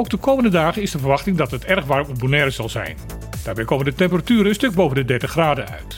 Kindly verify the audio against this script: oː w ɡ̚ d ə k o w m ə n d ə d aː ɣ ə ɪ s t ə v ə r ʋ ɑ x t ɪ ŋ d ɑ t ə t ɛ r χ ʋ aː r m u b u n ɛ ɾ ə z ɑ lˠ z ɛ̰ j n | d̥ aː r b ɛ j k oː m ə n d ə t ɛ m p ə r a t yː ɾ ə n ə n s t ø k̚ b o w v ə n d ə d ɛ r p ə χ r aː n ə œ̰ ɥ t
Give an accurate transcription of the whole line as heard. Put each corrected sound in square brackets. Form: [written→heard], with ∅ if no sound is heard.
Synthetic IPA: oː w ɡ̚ d ə k o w m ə n d ə d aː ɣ ə ɪ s [t→d] ə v ə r ʋ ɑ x t ɪ ŋ d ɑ t ə t ɛ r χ ʋ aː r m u b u n ɛ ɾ ə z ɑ lˠ z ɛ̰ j n | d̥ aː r b ɛ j k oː m ə n d ə t ɛ m p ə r a t yː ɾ ə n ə n s t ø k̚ b o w v ə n d ə d ɛ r [p→t] ə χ r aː [n→d] ə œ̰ ɥ t